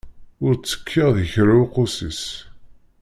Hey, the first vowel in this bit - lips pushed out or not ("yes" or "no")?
yes